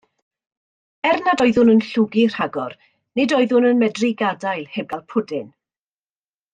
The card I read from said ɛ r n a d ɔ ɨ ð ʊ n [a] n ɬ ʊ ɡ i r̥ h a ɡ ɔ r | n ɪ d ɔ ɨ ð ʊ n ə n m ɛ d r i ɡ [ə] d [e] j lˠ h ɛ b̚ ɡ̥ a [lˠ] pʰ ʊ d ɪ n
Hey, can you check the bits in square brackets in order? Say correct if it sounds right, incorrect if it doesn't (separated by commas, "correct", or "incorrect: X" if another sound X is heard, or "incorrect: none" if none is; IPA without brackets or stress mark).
incorrect: ə, incorrect: a, incorrect: a, correct